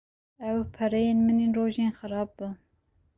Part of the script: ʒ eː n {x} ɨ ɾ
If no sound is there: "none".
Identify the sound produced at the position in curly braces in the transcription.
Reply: x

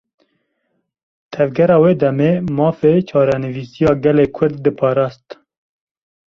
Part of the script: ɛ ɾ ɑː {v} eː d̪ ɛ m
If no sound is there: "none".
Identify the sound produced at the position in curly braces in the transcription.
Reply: w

